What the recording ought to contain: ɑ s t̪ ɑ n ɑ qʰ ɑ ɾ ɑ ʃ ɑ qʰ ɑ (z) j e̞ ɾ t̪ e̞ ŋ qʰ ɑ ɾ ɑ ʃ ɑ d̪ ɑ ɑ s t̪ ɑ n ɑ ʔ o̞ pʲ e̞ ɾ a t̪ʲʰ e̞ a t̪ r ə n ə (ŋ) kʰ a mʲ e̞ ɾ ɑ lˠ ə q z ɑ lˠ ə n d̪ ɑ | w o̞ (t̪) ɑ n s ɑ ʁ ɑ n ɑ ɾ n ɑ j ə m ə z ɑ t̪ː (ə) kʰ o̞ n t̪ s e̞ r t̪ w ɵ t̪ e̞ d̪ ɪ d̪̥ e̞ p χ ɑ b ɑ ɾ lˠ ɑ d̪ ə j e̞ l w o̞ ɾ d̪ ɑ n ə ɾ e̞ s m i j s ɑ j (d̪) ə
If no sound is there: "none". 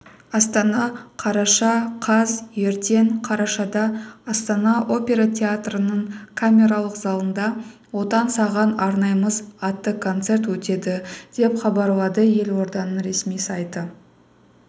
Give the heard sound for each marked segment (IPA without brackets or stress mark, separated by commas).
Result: z, ɴ, t̪, ə, t̪